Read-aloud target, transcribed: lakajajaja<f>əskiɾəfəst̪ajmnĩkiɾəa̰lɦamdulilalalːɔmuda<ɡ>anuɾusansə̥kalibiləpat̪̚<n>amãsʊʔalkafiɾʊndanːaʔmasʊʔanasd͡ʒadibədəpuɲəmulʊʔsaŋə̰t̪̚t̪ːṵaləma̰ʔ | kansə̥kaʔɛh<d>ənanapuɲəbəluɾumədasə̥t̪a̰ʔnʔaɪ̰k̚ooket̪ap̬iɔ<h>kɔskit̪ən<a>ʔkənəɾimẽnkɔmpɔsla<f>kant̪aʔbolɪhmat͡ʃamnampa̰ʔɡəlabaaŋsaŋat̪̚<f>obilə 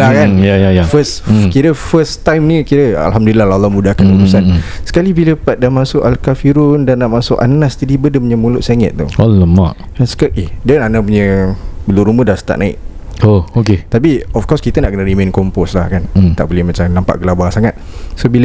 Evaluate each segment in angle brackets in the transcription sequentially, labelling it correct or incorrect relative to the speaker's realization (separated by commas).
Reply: correct, incorrect, incorrect, correct, incorrect, correct, incorrect, incorrect